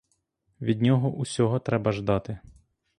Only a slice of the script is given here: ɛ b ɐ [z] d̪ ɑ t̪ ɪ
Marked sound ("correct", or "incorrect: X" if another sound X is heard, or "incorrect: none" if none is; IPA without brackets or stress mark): incorrect: ʒ